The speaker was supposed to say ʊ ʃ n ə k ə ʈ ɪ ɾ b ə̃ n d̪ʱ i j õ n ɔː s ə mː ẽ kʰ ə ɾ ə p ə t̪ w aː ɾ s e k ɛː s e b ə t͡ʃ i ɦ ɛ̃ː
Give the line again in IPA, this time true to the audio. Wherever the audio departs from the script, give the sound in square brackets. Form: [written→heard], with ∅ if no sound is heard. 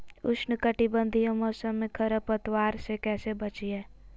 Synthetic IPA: ʊ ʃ n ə k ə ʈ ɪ [ɾ→∅] b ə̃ n d̪ʱ i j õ [n→m] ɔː s ə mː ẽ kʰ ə ɾ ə p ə t̪ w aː ɾ s e k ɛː s e b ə t͡ʃ i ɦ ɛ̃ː